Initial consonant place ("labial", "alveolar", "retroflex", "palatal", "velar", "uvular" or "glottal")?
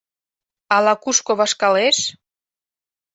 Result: alveolar